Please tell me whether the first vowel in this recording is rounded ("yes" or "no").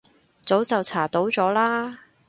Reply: yes